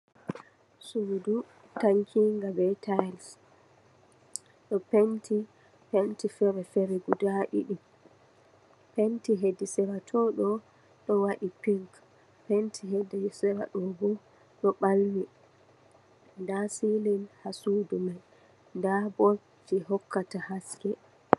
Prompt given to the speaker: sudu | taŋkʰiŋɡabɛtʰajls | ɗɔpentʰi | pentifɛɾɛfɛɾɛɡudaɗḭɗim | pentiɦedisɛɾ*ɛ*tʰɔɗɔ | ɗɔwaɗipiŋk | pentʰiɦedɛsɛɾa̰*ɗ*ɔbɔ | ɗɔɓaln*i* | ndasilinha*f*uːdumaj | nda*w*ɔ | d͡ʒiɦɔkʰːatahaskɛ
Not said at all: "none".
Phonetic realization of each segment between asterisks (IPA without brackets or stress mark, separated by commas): a, ɗ, i, s, b